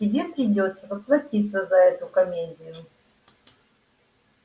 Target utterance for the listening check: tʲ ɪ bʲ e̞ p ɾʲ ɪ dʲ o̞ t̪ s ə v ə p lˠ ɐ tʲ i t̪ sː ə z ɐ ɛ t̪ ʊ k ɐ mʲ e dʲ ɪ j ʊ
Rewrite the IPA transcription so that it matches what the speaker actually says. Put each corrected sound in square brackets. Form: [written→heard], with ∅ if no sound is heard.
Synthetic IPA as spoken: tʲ ɪ bʲ e̞ p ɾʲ ɪ dʲ o̞ t̪ s ə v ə p lˠ ɐ tʲ i t̪ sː ə z ɐ ɛ t̪ ʊ k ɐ mʲ e dʲ ɪ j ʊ